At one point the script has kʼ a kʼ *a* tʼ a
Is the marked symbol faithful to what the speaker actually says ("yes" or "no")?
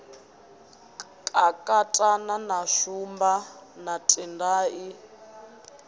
yes